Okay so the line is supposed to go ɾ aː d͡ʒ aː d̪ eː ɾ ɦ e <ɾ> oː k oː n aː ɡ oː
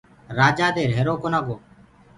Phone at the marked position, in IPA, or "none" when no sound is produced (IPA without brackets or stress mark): ɾ